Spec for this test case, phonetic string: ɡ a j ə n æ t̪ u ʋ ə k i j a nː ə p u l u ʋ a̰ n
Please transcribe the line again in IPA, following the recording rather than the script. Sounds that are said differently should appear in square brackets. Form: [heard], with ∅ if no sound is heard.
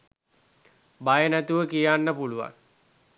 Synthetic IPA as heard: [b] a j ə n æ t̪ u ʋ ə k i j a nː ə p u l u ʋ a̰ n